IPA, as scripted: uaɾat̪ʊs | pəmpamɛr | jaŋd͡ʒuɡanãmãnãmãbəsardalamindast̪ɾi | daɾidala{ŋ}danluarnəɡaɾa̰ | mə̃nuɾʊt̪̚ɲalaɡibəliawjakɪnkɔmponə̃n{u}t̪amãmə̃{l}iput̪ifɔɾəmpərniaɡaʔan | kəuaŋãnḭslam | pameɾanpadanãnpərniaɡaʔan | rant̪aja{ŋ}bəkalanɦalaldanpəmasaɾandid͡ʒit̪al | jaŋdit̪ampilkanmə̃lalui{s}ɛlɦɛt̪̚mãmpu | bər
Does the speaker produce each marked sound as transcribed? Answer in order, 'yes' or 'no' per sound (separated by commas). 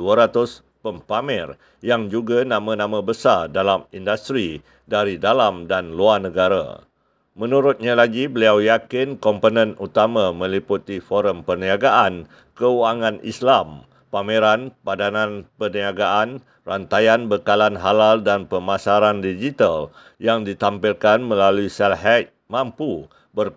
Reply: no, yes, yes, no, yes